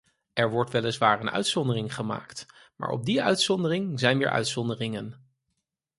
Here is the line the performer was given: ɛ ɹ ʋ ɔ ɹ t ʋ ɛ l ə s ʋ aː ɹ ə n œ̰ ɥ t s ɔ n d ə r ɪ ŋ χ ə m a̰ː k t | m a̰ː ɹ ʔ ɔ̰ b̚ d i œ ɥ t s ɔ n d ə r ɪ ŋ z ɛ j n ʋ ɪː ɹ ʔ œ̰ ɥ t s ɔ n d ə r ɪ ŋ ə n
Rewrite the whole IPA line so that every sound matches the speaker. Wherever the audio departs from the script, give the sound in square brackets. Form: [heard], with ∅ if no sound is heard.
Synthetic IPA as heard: ɛ ɹ ʋ ɔ ɹ t ʋ ɛ l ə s ʋ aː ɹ ə n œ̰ ɥ t s ɔ n d ə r ɪ ŋ χ ə m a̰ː k t | m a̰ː ɹ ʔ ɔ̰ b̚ d i œ ɥ t s ɔ n d ə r ɪ ŋ z ɛ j n ʋ ɪː ɹ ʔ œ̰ ɥ t s ɔ n d ə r ɪ ŋ ə n